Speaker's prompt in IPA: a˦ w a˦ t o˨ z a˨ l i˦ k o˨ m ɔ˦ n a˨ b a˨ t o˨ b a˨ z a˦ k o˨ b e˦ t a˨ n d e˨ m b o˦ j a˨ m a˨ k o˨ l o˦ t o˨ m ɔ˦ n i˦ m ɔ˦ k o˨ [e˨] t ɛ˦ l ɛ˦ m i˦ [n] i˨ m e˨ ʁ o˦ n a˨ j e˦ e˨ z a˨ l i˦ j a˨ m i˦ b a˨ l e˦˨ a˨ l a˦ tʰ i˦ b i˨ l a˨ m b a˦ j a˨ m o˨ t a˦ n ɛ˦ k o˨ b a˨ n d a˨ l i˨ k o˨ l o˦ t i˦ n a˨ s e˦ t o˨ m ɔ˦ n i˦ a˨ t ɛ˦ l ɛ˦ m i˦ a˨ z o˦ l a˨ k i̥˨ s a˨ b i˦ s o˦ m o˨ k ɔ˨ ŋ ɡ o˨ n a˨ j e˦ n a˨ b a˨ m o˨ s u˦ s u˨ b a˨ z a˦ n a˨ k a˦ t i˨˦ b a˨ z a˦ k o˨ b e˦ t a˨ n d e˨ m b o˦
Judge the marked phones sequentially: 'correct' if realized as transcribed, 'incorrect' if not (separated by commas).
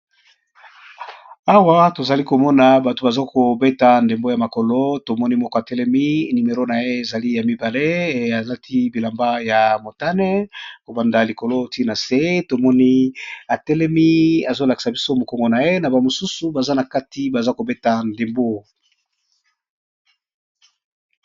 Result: incorrect, correct